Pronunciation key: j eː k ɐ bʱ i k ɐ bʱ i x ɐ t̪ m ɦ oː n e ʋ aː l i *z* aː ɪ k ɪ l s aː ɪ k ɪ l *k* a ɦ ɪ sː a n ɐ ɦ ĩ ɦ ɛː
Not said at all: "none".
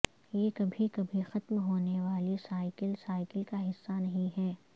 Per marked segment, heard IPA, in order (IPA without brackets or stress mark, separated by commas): s, k